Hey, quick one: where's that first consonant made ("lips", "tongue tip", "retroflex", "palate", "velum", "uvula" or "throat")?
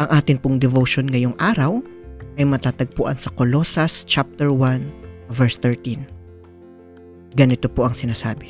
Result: throat